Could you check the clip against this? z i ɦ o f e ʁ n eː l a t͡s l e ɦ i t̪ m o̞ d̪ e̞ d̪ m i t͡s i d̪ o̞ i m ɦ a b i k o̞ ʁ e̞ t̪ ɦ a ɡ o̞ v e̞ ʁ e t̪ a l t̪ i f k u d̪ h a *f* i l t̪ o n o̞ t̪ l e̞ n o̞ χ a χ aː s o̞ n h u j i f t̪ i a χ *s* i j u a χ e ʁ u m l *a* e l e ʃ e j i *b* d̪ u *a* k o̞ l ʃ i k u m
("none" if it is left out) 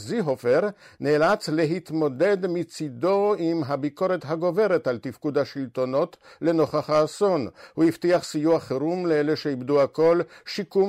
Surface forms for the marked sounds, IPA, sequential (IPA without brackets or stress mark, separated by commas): ʃ, s, e, b, a